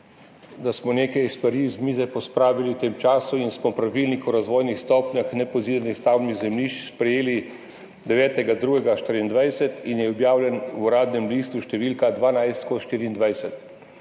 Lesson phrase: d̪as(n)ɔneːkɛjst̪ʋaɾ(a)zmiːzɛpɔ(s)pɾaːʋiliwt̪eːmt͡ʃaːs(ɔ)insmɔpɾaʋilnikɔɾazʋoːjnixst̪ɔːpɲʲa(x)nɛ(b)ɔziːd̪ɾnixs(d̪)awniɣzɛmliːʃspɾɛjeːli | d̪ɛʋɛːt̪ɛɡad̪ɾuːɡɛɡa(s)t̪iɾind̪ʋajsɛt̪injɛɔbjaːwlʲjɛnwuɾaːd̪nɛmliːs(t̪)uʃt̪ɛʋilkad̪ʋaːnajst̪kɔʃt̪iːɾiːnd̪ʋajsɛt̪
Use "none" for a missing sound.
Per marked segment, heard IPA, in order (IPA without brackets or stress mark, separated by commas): m, i, s, u, x, p, t̪, ʃ, t̪